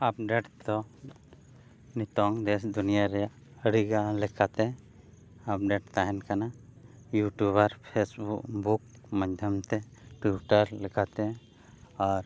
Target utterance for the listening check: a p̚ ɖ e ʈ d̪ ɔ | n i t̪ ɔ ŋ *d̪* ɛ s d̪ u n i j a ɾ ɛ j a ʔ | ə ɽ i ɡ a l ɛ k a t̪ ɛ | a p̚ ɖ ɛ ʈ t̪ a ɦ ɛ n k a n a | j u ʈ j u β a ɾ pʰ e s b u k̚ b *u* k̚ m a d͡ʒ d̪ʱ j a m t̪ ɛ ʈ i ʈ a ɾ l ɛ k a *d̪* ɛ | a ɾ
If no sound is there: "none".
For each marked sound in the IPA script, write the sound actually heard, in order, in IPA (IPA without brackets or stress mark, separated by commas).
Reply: d̪, u, t̪